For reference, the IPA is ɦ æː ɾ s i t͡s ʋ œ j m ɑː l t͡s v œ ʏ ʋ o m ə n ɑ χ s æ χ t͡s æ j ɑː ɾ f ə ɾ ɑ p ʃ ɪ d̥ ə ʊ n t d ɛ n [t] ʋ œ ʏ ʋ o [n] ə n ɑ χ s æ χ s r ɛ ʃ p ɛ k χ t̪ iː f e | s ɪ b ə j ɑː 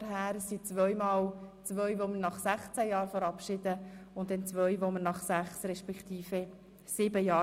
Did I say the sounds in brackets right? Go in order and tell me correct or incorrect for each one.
incorrect: t͡s, incorrect: m

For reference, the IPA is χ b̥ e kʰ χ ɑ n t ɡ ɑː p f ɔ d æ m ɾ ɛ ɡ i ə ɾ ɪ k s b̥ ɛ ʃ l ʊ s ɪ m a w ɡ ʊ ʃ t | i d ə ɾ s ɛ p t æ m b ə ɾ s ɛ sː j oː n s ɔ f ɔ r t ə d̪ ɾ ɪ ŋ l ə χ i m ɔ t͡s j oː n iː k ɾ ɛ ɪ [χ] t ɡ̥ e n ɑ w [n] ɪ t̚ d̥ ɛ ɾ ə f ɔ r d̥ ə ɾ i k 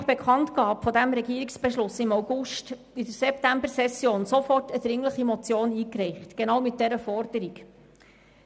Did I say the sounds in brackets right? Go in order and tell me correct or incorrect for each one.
correct, incorrect: m

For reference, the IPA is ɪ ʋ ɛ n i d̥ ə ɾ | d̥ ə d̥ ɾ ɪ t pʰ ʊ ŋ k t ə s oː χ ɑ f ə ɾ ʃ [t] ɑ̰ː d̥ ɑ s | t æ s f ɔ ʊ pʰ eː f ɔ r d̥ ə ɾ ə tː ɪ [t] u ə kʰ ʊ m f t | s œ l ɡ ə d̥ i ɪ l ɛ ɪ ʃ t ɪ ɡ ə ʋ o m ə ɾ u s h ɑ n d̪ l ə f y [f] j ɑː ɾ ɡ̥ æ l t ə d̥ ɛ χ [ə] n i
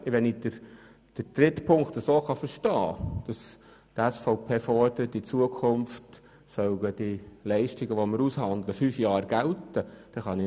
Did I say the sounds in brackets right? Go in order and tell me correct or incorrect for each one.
correct, incorrect: t͡s, correct, incorrect: ɑ

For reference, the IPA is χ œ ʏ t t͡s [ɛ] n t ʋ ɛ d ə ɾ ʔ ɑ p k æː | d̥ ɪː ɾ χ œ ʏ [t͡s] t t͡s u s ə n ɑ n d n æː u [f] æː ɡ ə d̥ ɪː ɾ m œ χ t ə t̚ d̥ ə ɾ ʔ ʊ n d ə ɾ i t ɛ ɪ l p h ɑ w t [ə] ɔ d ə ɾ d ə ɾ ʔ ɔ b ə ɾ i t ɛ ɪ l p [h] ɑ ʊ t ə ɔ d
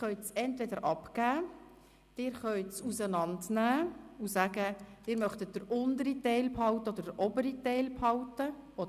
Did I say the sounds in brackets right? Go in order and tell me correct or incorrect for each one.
correct, incorrect: none, incorrect: s, correct, correct

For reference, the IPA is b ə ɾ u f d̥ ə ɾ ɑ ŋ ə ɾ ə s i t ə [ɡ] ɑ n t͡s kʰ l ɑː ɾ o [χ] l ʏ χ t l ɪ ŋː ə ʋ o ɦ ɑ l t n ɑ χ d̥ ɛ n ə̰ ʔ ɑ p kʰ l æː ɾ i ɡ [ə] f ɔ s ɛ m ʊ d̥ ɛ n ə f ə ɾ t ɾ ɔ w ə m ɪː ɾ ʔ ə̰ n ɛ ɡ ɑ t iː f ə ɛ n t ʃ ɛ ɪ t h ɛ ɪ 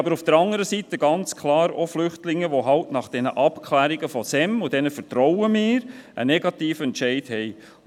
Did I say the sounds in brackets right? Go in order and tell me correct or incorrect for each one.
correct, incorrect: f, correct

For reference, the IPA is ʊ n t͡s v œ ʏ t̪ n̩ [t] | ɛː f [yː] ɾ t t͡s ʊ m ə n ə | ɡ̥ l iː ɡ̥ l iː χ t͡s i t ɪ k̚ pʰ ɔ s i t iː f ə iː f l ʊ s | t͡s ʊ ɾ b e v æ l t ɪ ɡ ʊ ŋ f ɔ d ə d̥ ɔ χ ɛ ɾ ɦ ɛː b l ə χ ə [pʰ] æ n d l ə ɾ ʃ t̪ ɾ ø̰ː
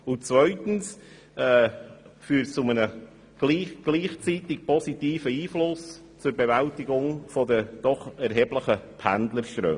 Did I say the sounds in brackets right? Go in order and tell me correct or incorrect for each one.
incorrect: s, correct, correct

